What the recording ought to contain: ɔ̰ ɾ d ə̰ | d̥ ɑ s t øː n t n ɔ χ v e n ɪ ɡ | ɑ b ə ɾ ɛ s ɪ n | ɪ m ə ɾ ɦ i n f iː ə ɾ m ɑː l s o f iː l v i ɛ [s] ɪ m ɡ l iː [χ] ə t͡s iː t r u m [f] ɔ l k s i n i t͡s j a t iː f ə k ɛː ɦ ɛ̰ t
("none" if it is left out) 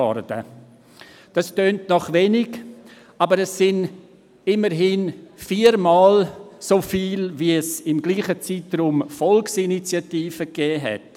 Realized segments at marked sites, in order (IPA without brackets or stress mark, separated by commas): s, χ, f